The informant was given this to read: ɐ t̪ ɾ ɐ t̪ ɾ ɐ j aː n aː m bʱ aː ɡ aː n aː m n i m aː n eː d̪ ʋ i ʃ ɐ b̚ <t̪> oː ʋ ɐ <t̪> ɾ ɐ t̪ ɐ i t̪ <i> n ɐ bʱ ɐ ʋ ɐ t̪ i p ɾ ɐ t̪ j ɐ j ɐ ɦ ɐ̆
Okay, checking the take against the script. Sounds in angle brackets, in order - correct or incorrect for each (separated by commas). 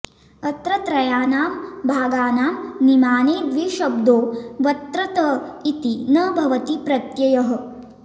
incorrect, correct, correct